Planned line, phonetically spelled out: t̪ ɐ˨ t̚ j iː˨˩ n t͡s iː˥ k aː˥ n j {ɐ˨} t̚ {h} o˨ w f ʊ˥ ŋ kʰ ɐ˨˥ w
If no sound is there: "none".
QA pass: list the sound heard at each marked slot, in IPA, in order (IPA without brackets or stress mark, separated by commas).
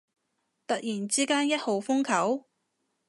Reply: ɐ˥, h